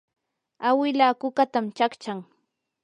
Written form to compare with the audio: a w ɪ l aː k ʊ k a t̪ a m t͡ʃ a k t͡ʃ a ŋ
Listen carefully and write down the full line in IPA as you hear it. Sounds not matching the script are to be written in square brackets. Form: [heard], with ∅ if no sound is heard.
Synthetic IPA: a w ɪ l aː k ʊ k a t̪ a m t͡ʃ a k t͡ʃ a ŋ